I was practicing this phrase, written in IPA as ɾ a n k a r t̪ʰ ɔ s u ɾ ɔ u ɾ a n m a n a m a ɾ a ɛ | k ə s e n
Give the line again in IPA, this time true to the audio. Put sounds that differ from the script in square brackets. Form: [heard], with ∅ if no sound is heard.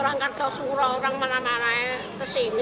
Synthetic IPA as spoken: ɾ a [ŋ] k a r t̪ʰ ɔ s u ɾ ɔ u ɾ a [ŋ] m a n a m a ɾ a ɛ | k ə s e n